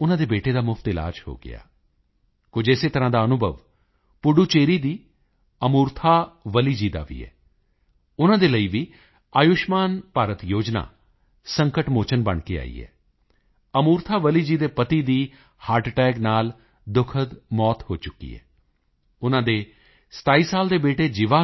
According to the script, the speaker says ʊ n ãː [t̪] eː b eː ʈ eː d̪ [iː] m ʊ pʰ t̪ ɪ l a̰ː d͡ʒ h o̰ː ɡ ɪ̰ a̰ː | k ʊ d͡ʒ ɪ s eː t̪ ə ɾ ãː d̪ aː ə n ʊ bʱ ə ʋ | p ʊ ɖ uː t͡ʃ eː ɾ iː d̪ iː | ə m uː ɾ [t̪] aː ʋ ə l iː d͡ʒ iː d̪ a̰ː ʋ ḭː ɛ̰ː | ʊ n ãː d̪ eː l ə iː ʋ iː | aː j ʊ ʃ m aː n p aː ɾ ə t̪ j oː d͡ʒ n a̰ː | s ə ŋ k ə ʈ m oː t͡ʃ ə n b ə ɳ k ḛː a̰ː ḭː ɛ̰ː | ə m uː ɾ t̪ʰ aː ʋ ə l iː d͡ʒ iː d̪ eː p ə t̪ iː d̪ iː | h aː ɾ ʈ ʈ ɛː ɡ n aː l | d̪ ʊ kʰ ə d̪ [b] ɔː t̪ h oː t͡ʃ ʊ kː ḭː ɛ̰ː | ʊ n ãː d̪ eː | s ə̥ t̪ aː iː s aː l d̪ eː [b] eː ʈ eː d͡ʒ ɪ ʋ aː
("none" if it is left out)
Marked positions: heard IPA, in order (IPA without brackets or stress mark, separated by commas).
d̪, aː, t̪ʰ, m, b